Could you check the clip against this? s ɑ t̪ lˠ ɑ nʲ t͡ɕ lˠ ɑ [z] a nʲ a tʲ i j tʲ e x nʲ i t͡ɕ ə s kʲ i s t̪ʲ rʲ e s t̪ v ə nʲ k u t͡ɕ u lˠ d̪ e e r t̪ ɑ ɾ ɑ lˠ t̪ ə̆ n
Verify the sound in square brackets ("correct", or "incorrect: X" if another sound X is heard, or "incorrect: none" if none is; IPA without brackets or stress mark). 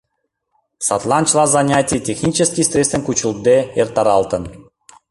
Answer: correct